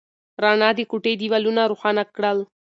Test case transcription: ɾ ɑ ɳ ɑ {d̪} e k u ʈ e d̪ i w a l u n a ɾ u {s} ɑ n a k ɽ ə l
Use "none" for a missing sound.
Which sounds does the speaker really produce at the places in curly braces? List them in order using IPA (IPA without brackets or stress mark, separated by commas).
d̪, x